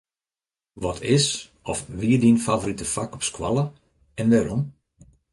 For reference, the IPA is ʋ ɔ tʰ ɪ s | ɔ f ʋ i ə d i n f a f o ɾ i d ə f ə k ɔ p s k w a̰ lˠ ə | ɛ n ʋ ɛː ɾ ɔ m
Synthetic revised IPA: ʋ ɔ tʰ ɪ s | ɔ f ʋ i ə d i n f a v o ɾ i t ə f a k ɔ p s k w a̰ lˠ ə | ɛ n ʋ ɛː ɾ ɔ m